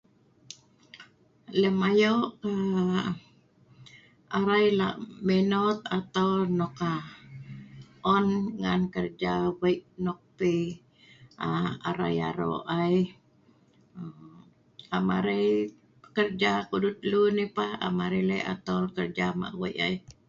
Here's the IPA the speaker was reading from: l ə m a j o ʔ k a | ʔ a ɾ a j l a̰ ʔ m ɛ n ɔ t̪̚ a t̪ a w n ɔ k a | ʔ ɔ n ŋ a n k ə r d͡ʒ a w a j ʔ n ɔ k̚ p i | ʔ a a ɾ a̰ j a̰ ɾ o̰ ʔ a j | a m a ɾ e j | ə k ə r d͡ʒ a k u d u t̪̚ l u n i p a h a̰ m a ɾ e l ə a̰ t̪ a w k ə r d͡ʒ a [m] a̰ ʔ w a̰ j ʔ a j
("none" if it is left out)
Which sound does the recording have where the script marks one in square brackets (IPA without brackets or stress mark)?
m